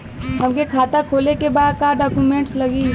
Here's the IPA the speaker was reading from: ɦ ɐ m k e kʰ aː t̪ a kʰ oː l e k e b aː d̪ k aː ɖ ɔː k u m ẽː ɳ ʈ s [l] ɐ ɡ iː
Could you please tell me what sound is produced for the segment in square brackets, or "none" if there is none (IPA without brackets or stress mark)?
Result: l